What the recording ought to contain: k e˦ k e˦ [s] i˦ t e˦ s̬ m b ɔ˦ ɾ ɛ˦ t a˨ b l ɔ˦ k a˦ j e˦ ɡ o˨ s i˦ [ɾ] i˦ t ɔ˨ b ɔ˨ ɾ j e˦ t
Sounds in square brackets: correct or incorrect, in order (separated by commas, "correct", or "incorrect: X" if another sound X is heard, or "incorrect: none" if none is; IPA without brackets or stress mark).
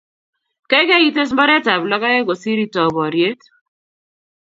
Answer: incorrect: none, correct